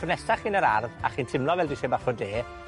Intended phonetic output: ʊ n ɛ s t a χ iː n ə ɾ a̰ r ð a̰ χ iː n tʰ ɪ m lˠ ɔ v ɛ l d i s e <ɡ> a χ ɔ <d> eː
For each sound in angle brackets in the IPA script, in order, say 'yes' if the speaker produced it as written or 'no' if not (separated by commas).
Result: no, yes